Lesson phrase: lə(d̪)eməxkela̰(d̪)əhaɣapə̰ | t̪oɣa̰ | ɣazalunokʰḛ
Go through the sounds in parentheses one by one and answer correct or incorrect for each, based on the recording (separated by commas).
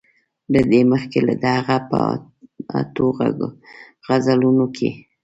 correct, correct